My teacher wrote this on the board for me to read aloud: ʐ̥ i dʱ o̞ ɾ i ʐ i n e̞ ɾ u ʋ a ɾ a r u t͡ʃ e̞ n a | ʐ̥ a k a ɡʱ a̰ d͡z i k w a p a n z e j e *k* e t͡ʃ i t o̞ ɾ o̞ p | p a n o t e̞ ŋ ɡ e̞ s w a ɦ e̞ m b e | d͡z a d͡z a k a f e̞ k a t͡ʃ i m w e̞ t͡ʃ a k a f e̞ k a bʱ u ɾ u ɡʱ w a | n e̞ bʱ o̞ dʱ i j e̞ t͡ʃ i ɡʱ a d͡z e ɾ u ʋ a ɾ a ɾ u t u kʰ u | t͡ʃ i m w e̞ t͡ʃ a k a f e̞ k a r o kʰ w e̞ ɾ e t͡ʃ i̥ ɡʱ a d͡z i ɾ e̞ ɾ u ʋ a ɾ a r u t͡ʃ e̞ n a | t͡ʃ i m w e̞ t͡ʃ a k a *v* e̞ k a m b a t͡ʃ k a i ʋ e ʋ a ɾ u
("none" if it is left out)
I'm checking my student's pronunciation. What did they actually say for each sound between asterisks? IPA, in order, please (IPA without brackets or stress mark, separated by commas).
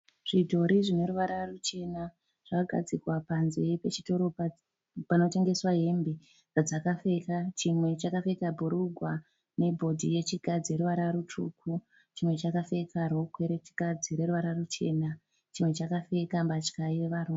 p, f